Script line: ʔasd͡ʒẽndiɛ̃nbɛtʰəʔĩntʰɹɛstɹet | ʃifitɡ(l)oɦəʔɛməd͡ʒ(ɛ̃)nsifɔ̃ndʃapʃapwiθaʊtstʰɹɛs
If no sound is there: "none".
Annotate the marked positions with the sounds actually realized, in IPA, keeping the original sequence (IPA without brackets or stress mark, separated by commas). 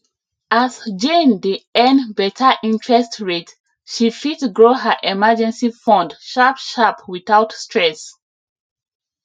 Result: ɹ, ɛ̃